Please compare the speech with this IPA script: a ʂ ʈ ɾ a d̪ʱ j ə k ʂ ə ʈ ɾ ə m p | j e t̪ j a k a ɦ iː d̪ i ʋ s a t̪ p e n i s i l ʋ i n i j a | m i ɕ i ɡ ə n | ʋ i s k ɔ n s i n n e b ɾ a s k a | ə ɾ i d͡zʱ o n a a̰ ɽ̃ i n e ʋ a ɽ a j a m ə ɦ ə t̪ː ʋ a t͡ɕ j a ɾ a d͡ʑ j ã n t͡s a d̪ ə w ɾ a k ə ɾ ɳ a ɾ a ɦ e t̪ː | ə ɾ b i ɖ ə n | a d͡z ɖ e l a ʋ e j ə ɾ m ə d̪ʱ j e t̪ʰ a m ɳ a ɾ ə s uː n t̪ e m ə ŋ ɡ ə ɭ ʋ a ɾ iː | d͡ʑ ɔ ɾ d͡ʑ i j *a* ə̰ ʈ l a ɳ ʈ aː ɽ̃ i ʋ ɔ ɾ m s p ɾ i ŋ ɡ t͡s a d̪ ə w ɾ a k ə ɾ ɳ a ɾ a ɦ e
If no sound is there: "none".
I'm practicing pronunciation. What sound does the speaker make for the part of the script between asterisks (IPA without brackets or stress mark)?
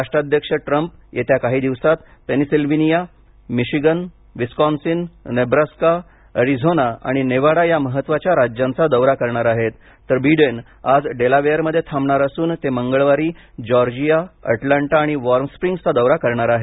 a